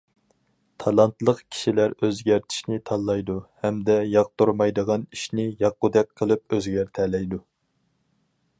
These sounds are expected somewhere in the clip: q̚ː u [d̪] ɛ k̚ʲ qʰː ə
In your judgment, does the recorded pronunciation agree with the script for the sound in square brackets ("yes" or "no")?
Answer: yes